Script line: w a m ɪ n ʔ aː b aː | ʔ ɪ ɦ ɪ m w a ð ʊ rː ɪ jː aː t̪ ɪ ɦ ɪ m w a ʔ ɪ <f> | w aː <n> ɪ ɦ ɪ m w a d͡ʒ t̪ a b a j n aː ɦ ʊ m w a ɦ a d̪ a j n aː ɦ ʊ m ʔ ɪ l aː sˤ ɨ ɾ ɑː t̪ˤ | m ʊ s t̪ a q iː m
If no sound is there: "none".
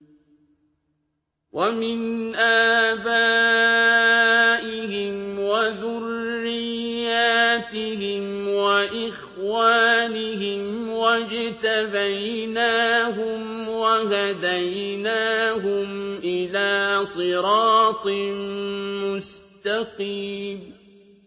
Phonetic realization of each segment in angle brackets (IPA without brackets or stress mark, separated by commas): x, n